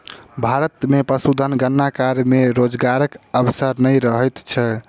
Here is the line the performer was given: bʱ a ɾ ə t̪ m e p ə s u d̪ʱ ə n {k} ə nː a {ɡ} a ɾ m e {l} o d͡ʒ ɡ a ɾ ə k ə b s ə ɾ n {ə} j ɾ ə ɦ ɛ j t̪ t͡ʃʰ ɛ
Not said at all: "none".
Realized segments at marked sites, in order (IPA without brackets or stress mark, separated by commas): ɡ, k, ɾ, ə